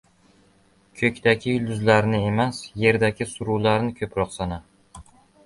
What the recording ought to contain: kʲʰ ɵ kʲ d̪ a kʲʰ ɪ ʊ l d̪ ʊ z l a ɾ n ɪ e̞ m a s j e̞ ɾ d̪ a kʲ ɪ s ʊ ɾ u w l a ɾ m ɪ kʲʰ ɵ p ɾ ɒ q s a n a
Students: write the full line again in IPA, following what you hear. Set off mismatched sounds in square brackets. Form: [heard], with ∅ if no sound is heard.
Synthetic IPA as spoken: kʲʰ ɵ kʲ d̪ a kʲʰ ɪ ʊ l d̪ ʊ z l a ɾ n ɪ e̞ m a s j e̞ ɾ d̪ a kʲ ɪ s ʊ ɾ u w l a ɾ [n] ɪ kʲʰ ɵ p ɾ ɒ q s a n a